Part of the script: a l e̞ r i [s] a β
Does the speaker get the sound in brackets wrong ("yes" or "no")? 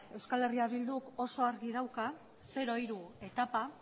yes